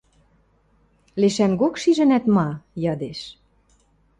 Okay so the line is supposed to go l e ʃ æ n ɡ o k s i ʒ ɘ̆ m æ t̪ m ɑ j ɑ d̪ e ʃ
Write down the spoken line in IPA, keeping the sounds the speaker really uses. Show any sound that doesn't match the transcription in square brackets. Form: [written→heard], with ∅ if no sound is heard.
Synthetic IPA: l e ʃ æ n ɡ o k [s→ʃ] i ʒ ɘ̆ [m→n] æ t̪ m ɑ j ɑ d̪ e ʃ